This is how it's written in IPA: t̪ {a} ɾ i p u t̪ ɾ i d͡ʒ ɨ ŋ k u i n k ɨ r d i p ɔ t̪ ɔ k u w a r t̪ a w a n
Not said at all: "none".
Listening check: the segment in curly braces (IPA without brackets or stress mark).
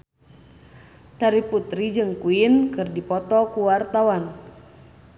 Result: a